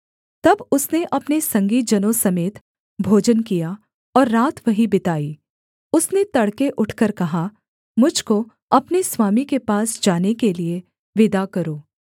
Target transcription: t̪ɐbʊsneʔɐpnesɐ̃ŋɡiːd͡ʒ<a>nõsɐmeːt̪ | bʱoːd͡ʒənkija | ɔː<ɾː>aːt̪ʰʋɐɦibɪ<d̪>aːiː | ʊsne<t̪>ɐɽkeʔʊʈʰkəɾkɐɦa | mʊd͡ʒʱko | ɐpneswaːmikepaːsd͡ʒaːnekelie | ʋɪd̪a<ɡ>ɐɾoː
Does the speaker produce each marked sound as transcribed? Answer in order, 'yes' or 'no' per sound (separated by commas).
no, yes, no, yes, no